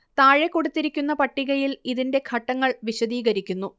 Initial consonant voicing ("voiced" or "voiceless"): voiceless